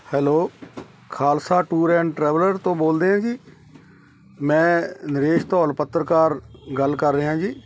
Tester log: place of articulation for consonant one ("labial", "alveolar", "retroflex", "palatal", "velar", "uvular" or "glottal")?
glottal